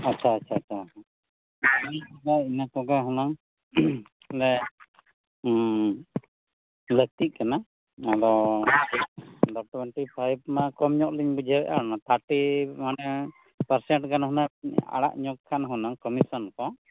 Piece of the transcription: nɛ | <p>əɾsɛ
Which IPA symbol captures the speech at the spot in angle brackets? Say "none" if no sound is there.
p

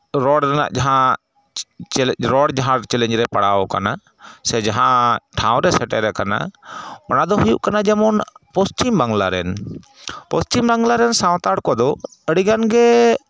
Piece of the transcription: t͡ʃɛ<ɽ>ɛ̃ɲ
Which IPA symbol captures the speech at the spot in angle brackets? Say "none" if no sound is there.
l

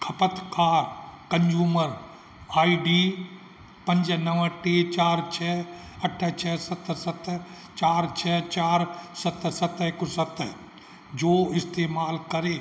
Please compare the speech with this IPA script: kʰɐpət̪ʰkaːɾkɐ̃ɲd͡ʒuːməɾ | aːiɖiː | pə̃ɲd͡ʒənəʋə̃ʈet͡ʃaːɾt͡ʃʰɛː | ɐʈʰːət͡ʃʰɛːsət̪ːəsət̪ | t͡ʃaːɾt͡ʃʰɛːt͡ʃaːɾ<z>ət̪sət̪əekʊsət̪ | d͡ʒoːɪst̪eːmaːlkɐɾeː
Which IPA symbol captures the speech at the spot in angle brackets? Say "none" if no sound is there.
s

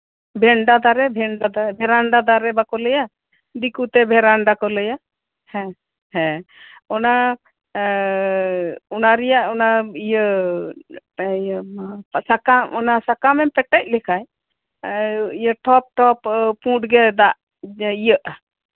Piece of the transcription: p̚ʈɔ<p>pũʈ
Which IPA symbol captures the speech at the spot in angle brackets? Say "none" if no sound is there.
p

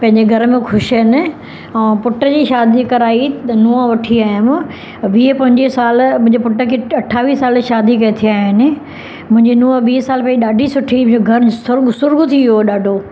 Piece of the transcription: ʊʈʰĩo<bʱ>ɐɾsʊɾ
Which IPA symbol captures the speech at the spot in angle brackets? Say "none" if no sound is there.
ɡʱ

